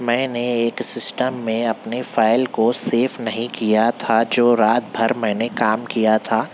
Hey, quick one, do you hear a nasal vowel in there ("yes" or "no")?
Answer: yes